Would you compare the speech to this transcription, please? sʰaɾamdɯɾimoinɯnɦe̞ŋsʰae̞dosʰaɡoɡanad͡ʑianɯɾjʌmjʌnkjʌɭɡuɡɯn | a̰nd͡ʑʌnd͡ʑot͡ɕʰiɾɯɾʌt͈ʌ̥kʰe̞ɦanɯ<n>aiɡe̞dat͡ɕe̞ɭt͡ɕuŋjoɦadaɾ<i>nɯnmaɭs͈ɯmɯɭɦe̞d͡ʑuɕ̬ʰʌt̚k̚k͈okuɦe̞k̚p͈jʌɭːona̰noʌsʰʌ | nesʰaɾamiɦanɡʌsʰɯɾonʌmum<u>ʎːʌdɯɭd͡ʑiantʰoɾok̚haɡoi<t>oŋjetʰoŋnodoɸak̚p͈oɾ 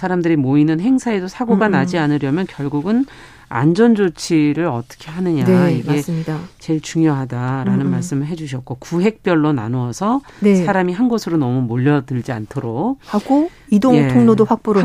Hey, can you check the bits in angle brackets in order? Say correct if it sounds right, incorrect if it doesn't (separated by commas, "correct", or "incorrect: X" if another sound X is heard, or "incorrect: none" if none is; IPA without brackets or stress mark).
incorrect: ɲ, incorrect: a, incorrect: o, incorrect: d